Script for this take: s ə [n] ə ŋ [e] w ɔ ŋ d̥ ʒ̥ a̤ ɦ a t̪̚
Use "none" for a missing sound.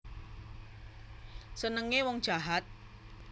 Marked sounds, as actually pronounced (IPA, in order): n, e

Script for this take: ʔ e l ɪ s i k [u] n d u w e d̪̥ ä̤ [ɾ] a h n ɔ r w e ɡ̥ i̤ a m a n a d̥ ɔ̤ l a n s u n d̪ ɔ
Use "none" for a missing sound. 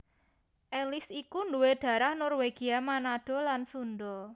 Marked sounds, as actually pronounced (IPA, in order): u, ɾ

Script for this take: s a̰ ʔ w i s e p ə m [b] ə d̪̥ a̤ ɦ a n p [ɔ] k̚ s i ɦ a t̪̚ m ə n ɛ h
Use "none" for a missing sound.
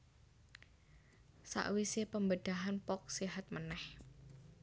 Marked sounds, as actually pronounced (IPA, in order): b, ɔ

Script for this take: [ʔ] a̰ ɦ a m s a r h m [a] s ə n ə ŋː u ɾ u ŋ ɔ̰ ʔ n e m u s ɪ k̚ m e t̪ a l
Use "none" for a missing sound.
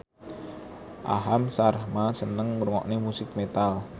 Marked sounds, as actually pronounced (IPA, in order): ʔ, a

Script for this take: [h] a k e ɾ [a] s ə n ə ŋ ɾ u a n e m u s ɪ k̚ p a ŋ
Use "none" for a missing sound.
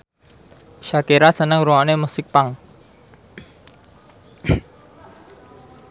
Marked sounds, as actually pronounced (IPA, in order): ʃ, a

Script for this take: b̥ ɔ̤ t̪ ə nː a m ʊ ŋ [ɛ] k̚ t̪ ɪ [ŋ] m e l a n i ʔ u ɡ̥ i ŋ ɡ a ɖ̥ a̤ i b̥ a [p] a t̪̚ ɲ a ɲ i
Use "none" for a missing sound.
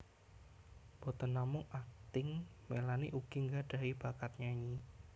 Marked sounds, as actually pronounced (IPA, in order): a, ŋ, k

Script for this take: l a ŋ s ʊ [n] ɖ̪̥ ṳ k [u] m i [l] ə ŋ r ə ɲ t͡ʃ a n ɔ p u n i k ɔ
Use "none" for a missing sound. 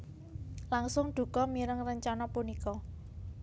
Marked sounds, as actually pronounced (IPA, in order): ŋ, ɔ, ɾ

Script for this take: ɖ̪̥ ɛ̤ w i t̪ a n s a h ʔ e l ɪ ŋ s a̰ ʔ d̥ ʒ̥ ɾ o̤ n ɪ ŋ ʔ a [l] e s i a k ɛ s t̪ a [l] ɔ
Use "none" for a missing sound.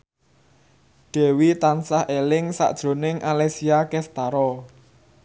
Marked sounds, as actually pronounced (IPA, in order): l, ɾ

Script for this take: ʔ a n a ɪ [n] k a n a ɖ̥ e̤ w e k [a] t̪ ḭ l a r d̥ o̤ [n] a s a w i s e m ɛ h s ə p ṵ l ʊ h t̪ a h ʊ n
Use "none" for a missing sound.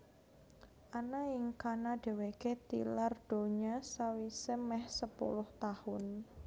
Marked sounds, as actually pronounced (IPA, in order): ŋ, e, ɲ

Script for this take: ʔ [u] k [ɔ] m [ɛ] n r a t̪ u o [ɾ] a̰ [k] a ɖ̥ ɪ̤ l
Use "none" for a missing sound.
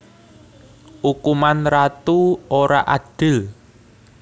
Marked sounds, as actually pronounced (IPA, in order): u, u, a, ɾ, ʔ

